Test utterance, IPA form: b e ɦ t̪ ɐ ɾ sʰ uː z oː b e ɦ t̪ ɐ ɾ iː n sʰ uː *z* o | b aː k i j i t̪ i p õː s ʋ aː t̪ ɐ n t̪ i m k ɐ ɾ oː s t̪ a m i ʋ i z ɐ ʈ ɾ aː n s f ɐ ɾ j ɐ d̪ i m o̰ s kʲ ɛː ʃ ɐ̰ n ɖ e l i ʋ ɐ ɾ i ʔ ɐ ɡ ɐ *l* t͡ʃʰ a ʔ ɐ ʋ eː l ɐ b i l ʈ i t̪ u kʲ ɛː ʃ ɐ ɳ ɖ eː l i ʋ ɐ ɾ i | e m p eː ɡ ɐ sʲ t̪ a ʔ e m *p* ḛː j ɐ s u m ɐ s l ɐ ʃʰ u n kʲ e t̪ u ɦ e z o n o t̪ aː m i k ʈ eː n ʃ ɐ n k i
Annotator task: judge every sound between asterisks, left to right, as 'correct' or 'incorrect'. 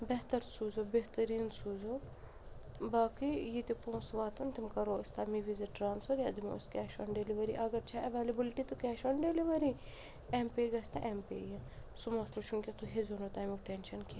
correct, incorrect, correct

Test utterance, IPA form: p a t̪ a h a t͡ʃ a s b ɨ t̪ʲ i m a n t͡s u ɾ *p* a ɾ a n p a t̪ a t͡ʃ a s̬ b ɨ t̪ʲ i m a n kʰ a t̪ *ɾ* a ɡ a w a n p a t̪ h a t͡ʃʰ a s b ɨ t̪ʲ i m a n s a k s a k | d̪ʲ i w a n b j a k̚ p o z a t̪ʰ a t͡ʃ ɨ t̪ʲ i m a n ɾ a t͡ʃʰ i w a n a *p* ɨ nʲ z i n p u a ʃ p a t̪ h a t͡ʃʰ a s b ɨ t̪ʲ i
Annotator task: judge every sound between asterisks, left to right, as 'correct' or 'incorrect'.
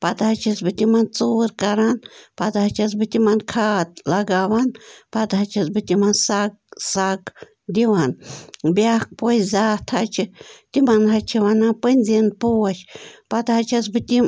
incorrect, incorrect, correct

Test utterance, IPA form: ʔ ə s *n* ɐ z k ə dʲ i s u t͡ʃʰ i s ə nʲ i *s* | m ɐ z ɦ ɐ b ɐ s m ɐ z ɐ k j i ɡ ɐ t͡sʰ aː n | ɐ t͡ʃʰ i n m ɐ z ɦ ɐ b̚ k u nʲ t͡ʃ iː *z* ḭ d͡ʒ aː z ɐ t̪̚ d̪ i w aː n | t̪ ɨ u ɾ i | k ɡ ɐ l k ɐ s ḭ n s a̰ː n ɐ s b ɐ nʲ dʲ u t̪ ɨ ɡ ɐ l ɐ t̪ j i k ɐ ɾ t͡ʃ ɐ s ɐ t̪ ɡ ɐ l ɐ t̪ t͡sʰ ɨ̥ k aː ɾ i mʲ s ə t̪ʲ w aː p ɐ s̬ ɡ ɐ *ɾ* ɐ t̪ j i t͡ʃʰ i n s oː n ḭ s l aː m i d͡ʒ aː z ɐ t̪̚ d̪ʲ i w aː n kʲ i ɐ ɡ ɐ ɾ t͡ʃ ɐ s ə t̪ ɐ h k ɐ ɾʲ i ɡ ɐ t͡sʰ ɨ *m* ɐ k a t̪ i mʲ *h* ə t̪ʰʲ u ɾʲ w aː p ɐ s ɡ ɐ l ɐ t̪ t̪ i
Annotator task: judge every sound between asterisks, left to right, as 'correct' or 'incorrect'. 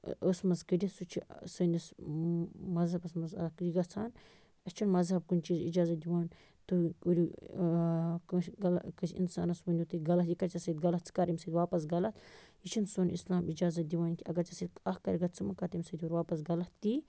incorrect, correct, correct, incorrect, correct, incorrect

